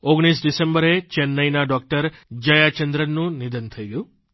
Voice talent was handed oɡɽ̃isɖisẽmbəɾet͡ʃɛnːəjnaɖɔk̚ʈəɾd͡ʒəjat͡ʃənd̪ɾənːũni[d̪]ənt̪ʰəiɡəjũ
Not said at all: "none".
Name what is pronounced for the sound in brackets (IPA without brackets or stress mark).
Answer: d̪